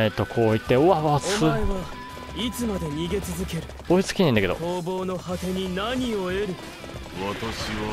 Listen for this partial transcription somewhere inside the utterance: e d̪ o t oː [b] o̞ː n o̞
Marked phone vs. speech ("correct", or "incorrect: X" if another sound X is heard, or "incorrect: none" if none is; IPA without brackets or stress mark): correct